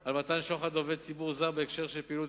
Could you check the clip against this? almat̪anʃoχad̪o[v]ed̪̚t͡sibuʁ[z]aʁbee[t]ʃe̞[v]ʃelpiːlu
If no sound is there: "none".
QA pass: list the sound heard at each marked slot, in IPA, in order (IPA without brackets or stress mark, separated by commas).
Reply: v, z, k, ʁ